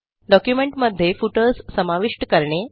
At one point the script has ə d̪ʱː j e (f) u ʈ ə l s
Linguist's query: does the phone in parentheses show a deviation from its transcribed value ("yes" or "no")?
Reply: no